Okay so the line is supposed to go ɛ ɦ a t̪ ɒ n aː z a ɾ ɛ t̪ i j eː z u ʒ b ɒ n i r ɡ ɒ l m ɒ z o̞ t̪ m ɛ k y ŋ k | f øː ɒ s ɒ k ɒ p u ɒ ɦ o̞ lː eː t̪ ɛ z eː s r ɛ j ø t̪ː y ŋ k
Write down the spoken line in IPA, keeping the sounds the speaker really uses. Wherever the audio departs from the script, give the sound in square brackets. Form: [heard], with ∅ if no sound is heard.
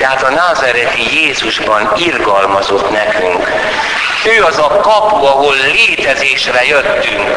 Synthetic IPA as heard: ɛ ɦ a t̪ ɒ n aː z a ɾ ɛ t̪ i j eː z u ʒ b ɒ n i r ɡ ɒ l m ɒ z o̞ t̪ [n] ɛ k y ŋ k | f øː ɒ [z] ɒ k ɒ p u ɒ ɦ o̞ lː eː t̪ ɛ z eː [ʃ] r ɛ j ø t̪ː y ŋ k